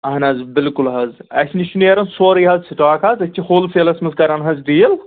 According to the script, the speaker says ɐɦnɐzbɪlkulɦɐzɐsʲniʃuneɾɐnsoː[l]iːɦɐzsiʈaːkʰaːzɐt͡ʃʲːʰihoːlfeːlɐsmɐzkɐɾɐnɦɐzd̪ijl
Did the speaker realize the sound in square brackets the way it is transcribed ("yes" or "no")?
no